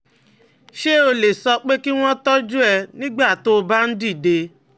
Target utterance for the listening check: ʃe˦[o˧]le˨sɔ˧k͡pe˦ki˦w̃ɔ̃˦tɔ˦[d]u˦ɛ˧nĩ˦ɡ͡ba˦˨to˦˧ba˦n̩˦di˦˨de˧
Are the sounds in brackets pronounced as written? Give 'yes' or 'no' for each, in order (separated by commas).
yes, no